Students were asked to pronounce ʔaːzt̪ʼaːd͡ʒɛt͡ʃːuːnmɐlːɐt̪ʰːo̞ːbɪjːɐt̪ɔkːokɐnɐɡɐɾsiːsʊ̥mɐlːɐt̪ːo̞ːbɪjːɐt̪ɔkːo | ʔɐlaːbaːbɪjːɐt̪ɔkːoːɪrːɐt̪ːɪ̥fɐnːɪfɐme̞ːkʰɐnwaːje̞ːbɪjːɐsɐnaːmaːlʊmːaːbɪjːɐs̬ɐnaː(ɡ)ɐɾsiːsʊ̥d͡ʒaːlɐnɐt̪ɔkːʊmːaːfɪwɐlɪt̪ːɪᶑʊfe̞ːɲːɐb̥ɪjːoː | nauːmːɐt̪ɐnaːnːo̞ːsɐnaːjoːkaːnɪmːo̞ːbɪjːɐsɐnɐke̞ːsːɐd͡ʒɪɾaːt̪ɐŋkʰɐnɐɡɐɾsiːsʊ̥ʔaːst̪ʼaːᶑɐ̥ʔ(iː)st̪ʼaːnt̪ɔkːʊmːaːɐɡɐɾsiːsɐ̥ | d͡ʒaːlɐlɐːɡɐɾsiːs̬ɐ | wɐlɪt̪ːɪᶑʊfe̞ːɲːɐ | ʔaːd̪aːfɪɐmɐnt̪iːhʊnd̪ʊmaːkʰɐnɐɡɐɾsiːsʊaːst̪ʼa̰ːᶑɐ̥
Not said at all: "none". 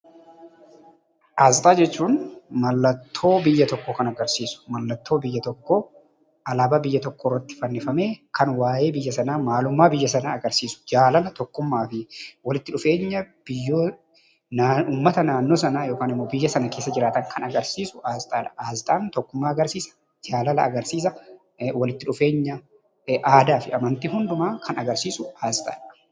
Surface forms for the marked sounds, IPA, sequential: ɡ, aː

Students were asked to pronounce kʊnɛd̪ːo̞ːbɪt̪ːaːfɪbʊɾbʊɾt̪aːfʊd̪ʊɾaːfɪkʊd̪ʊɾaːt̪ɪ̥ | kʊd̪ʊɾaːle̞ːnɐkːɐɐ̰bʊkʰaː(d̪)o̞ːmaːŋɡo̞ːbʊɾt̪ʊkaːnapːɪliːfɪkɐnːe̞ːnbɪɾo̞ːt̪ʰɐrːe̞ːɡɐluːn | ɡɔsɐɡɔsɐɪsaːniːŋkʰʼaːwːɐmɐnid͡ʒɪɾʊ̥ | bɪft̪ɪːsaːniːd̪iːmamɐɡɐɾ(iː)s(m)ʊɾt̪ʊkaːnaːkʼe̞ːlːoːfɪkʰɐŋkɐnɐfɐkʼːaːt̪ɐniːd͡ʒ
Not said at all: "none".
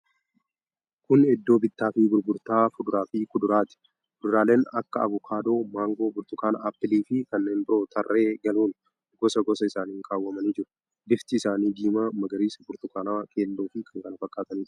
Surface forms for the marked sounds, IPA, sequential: d̪, iː, b

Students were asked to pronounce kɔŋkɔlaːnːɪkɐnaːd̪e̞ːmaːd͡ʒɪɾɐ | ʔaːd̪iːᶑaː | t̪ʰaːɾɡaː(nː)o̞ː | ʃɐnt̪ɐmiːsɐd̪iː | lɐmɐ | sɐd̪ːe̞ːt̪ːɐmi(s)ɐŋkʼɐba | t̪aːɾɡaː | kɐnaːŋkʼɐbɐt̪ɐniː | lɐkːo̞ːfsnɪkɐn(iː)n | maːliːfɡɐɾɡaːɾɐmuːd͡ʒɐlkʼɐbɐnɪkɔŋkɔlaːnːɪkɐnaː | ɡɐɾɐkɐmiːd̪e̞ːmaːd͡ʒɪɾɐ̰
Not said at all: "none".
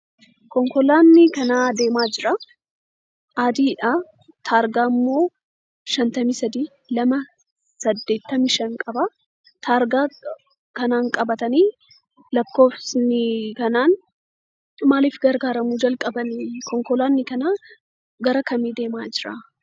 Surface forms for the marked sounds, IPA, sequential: mː, ʃ, aː

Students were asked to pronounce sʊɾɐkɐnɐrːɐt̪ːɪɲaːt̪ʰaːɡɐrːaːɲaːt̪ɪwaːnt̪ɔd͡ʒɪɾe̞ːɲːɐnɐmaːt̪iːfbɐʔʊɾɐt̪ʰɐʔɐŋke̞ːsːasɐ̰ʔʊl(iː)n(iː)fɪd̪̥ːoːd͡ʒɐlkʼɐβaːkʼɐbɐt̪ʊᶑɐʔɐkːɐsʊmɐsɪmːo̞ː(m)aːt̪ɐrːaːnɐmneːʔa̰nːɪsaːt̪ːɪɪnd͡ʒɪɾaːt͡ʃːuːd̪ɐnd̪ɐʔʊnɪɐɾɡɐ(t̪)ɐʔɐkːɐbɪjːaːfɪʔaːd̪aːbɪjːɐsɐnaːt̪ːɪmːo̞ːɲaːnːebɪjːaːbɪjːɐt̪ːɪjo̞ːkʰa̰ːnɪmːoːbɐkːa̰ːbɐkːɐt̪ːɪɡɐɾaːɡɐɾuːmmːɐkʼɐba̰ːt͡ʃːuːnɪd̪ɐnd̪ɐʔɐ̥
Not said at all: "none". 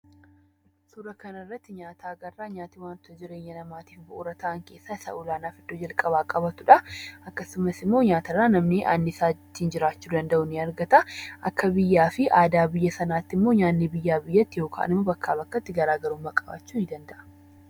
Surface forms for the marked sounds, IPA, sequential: aː, aː, ɲ, t̪

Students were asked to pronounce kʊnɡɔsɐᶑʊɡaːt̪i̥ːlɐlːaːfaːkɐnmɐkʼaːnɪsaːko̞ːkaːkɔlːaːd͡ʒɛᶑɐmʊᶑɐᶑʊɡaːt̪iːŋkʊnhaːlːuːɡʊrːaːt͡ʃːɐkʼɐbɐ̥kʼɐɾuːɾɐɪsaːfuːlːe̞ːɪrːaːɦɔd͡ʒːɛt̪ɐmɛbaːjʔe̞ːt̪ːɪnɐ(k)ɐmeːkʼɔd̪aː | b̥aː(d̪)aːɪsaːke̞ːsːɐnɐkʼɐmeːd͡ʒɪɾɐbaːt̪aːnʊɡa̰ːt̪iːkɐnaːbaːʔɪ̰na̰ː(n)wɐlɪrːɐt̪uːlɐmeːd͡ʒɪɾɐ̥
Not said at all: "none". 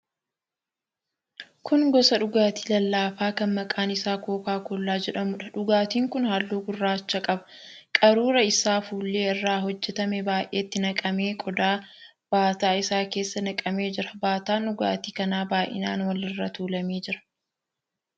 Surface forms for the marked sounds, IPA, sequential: kʼ, t̪, n

